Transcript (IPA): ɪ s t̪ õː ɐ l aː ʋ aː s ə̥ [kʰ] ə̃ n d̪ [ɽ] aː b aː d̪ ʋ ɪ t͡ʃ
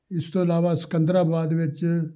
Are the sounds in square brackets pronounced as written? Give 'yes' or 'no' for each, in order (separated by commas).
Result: no, no